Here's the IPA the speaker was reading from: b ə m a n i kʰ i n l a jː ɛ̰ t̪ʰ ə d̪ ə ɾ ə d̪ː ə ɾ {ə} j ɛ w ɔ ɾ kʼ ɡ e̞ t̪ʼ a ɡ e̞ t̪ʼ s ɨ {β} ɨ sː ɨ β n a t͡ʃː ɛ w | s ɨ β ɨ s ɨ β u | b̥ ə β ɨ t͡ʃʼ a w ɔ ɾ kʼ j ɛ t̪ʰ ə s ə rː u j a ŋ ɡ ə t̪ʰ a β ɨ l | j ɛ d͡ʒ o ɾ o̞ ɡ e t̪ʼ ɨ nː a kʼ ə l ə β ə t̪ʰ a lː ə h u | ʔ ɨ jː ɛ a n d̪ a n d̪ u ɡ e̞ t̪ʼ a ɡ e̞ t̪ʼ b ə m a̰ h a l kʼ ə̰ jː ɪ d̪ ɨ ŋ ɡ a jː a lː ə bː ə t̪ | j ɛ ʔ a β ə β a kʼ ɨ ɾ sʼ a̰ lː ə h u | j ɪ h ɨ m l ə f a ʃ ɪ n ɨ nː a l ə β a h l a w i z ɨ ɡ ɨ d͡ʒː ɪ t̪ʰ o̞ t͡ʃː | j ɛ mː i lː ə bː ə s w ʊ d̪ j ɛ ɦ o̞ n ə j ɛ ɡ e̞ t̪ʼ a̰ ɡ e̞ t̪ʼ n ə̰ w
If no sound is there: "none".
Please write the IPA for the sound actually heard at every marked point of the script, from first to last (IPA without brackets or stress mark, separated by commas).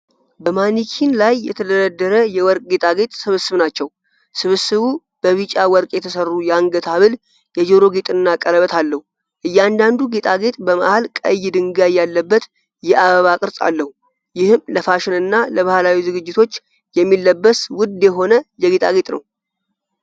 ə, β